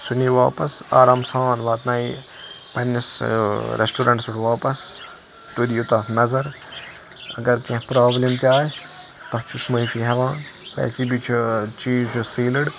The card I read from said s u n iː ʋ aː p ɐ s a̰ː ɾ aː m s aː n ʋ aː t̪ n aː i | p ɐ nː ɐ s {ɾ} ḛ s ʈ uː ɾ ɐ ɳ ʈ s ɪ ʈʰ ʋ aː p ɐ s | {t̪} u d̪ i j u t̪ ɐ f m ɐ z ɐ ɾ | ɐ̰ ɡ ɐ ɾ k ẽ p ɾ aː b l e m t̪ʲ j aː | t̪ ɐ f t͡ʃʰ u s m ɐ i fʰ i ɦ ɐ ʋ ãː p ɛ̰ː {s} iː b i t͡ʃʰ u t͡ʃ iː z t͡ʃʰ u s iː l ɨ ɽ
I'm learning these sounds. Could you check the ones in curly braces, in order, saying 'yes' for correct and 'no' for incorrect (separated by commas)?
yes, yes, yes